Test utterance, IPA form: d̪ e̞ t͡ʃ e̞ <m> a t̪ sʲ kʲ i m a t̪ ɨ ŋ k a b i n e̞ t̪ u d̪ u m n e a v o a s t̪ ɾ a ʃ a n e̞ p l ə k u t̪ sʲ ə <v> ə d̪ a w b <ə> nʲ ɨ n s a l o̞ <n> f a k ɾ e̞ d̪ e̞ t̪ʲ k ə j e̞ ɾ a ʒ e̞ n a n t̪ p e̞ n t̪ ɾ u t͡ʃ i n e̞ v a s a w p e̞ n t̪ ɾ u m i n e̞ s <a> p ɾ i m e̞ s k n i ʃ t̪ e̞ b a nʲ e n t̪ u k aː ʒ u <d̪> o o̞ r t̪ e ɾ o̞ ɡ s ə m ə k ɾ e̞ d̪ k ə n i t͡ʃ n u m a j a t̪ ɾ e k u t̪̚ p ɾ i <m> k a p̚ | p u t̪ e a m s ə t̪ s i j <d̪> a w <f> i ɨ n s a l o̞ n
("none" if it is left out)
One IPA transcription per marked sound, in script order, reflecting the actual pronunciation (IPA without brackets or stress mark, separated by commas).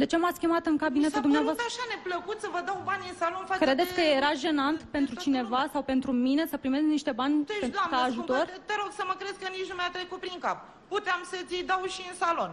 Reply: m, v, a, n, ə, t̪, ŋ, d̪, ʃ